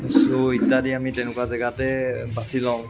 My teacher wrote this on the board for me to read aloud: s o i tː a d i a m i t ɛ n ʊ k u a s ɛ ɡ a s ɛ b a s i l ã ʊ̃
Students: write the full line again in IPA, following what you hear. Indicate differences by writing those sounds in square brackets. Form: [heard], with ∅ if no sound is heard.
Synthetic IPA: s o i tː a d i a m i t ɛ n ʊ k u a [z] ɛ ɡ a [t] ɛ b a s i l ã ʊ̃